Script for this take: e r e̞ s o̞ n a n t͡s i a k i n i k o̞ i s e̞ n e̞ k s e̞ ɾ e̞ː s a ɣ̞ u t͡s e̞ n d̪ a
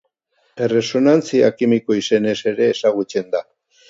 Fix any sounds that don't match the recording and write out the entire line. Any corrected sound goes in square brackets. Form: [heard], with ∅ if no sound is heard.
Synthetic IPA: e r e̞ s o̞ n a n t͡s i a k i [m] i k o̞ i s e̞ n e̞ [∅] s e̞ ɾ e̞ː s a ɣ̞ u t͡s e̞ n d̪ a